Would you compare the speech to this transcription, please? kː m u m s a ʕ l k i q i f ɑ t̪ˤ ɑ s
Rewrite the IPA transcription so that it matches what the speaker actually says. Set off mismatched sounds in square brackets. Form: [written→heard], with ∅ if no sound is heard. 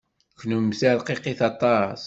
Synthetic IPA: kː [m→n] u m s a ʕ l [k→q] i q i [f→θ] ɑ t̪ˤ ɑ s